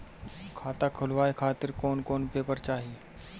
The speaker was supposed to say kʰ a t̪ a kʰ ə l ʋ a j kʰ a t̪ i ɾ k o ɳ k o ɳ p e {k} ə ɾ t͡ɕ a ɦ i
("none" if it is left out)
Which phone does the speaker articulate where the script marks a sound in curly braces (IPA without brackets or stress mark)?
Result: p